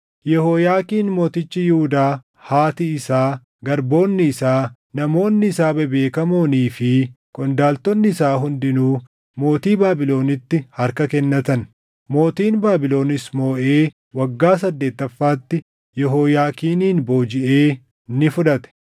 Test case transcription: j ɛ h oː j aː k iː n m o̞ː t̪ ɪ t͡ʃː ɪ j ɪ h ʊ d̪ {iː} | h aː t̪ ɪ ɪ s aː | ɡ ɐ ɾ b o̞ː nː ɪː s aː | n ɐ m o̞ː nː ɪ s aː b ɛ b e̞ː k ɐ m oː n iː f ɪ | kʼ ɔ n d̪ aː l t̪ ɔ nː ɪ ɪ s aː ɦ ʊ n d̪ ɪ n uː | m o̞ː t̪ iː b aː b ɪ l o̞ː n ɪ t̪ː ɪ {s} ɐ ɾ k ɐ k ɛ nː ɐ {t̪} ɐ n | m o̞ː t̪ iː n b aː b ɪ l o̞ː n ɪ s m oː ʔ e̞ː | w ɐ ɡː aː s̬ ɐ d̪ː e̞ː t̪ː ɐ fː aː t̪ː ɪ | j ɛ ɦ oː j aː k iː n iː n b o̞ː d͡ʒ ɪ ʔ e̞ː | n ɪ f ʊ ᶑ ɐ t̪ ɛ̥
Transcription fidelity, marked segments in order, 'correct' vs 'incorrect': incorrect: aː, incorrect: h, correct

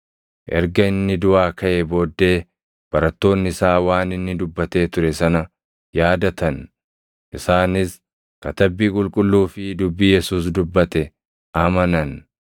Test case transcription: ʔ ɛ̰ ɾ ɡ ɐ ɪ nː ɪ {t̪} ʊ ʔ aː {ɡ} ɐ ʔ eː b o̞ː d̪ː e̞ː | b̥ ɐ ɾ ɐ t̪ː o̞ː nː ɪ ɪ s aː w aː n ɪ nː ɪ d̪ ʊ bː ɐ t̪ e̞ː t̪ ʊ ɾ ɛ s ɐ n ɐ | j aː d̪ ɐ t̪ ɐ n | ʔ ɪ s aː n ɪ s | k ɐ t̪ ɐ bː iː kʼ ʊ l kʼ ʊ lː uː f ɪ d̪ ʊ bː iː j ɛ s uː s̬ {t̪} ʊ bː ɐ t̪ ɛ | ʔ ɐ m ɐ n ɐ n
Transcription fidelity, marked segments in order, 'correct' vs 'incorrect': incorrect: d̪, incorrect: k, incorrect: d̪

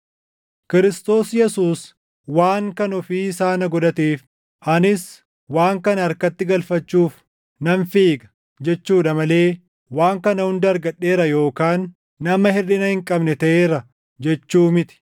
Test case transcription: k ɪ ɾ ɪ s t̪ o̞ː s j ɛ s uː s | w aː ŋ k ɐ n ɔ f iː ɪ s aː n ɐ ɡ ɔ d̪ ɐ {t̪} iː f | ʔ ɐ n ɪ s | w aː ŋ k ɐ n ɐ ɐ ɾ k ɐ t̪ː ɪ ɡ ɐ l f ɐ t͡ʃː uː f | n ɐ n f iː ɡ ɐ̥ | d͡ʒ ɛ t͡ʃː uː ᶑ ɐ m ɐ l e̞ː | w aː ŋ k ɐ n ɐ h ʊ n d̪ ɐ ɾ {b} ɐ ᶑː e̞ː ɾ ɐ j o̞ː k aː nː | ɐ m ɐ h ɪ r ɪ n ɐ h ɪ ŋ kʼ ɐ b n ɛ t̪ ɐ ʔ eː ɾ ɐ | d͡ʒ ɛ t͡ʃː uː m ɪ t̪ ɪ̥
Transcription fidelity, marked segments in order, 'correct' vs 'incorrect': correct, incorrect: ɡ

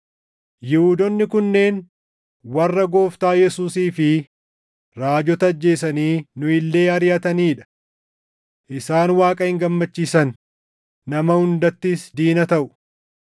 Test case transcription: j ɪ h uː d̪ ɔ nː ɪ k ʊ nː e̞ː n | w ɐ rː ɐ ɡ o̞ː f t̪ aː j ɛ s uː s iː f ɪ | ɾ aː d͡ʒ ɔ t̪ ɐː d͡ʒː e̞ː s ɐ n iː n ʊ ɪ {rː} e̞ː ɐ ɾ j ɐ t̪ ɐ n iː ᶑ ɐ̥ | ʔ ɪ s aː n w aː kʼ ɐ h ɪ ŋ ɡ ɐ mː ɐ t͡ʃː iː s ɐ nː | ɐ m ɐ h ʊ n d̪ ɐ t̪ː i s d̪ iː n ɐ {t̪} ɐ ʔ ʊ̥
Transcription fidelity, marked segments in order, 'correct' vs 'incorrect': incorrect: lː, correct

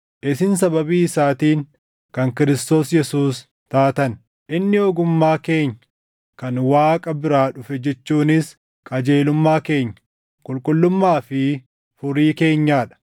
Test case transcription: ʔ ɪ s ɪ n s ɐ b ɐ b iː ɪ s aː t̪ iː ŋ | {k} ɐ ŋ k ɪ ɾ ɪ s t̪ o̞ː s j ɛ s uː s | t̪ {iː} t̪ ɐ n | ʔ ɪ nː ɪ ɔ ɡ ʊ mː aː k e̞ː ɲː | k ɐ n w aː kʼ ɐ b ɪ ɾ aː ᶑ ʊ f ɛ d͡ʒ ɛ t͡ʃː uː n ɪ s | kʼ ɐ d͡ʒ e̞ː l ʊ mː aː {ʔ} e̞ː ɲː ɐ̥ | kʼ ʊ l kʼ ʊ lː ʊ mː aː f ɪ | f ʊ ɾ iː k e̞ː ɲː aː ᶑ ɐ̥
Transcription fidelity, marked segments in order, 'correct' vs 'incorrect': correct, incorrect: aː, incorrect: k

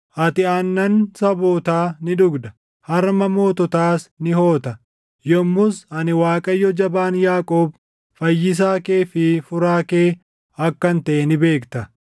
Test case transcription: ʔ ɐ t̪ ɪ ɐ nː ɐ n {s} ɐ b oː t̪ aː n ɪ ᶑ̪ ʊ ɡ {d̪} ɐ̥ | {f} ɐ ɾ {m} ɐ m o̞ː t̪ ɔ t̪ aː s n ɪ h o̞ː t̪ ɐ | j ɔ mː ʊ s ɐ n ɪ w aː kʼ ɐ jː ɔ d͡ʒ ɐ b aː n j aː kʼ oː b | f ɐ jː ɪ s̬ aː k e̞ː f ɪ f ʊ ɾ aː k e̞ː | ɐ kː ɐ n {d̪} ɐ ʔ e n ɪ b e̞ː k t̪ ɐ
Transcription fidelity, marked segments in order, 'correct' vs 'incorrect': correct, correct, incorrect: h, correct, incorrect: t̪

